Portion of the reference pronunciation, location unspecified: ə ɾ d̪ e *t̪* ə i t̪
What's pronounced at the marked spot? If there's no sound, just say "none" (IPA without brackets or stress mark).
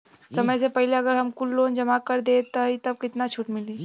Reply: t̪